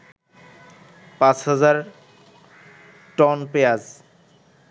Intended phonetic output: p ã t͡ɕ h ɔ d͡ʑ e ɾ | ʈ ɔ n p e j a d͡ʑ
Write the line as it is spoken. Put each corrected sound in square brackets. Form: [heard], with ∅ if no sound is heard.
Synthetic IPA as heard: p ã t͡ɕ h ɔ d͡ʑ [a] ɾ | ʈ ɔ n p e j a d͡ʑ